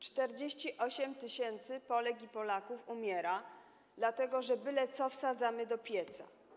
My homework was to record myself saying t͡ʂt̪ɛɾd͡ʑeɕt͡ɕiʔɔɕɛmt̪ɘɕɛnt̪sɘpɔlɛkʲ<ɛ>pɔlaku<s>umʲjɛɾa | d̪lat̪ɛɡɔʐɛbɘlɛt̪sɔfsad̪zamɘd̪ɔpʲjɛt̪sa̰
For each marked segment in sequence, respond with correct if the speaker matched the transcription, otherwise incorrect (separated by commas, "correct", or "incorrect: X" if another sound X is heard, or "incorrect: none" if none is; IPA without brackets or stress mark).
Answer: incorrect: i, incorrect: f